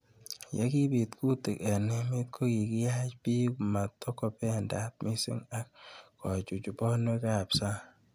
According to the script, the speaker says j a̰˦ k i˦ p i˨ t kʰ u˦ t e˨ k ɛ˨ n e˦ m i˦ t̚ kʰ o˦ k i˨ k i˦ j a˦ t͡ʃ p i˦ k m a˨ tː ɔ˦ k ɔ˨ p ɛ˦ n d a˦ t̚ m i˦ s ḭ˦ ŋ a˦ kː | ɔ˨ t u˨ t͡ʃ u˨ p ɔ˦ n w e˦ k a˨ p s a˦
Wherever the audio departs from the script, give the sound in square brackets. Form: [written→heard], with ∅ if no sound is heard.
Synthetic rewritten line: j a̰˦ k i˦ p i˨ t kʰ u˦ t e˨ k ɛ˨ n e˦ m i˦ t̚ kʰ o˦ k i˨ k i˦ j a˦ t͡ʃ p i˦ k m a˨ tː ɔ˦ k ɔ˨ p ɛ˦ n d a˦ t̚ m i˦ s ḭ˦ ŋ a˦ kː | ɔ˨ [t→t͡ʃ] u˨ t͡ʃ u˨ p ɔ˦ n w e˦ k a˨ p s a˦